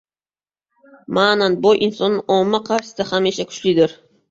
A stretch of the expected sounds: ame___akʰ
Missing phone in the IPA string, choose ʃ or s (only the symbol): ʃ